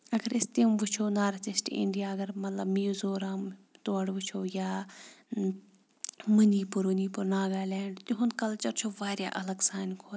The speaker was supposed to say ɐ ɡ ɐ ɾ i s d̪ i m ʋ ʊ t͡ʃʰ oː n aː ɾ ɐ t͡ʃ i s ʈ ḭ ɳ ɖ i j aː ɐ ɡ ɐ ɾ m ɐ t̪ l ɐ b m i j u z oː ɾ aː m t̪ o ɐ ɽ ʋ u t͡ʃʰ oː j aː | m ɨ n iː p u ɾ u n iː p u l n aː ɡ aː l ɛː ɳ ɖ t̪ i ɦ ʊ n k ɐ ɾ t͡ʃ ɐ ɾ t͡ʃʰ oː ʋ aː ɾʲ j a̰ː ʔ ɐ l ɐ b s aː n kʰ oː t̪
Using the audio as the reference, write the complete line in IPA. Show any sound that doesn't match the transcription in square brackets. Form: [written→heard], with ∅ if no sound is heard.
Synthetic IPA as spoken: ɐ ɡ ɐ ɾ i s [d̪→t̪] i m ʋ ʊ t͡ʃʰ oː n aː ɾ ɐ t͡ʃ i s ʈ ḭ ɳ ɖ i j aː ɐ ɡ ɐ ɾ m ɐ t̪ l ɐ b m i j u z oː ɾ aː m t̪ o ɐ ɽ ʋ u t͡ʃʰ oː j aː | m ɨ n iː p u ɾ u n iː p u [l→ɾ] n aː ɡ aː l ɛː ɳ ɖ t̪ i ɦ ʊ n k ɐ [ɾ→l] t͡ʃ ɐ ɾ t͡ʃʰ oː ʋ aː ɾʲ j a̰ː ʔ ɐ l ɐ [b→ɡ] s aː n kʰ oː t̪